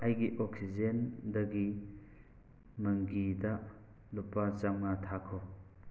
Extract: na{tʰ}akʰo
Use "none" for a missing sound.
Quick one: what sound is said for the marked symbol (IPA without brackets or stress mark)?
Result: tʰ